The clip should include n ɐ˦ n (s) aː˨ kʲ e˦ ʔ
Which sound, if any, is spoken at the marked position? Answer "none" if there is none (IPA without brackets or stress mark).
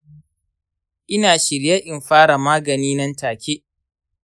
t